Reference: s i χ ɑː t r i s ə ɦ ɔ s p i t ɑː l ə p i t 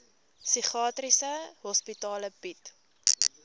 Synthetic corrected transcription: s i χ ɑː t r i s ə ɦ ɔ s p i t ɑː l ə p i t